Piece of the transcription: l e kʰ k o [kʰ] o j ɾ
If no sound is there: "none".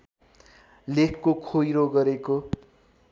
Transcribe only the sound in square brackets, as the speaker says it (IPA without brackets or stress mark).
kʰ